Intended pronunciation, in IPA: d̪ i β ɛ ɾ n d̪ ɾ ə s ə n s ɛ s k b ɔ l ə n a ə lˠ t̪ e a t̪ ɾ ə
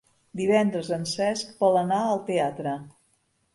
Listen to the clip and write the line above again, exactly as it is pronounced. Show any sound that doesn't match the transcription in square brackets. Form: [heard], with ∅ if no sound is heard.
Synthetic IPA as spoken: d̪ i β ɛ [∅] n d̪ ɾ ə [z] ə n s ɛ s k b ɔ l ə n a ə lˠ t̪ e a t̪ ɾ ə